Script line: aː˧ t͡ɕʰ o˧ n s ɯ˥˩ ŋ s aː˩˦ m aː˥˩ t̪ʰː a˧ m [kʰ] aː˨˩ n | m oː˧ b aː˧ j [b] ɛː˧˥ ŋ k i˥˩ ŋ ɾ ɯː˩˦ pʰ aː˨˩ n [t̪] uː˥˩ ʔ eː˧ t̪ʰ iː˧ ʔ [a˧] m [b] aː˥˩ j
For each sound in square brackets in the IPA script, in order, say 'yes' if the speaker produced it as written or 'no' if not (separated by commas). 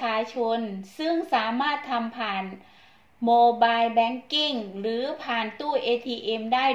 no, yes, yes, no, no